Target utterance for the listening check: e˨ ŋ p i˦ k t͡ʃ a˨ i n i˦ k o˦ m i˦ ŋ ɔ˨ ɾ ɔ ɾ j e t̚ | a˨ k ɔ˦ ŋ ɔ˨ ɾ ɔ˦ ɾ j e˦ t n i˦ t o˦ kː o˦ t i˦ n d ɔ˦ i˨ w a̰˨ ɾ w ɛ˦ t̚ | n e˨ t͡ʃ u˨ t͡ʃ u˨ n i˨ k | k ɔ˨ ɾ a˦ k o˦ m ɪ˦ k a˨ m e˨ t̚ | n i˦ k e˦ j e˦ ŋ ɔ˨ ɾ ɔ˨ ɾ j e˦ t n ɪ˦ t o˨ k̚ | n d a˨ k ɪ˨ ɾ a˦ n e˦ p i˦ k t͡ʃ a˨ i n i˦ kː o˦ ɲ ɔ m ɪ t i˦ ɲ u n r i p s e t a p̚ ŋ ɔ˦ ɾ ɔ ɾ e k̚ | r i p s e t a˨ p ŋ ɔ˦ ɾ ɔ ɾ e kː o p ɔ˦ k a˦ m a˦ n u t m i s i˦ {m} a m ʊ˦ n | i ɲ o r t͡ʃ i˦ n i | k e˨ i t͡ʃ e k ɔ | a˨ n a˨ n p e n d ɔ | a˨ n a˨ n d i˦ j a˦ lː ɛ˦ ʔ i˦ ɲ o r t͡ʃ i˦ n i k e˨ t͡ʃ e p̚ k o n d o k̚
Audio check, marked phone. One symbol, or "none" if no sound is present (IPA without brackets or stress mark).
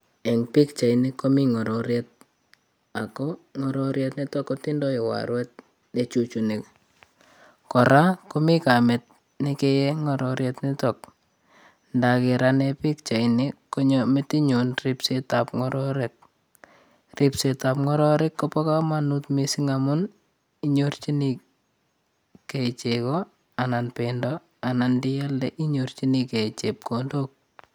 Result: ŋ